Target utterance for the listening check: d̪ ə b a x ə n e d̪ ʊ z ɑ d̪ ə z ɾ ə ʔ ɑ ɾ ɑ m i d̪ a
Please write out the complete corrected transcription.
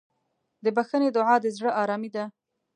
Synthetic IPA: d̪ ə b a x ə n e d̪ ʊ ʕ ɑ d̪ ə z ɽ ə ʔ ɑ ɾ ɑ m i d̪ a

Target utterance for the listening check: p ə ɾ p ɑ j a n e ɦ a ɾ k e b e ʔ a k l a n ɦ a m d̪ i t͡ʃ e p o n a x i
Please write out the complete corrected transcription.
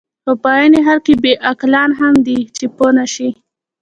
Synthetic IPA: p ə p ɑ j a n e ɦ a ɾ k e b e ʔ a k l ɑ n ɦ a m d̪ i t͡ʃ e p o n a ʃ i

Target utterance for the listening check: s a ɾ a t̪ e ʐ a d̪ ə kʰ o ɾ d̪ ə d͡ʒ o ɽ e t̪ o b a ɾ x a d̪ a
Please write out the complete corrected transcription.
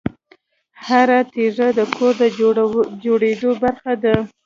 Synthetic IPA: h a ɾ a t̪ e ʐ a d̪ ə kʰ o ɾ d̪ ə d͡ʒ o ɽ e d̪ o b a ɾ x a d̪ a

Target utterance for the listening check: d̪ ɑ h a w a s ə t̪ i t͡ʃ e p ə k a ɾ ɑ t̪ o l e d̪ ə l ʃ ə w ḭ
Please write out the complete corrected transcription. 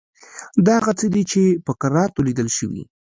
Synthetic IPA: d̪ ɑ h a ɣ a t͡s ə d̪ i t͡ʃ e p ə k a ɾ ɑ t̪ o l i d̪ ə l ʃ ə w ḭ

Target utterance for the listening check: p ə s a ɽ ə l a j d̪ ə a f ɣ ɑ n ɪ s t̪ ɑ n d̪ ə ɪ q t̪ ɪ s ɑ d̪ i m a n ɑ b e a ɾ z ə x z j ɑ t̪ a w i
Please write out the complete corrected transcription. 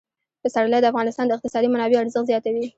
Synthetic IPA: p ə s a ɽ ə l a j d̪ ə a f ɣ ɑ n ɪ s t̪ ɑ n d̪ ə ɪ q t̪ ɪ s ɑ d̪ i m a n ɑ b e a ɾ z ə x z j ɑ t̪ a w i

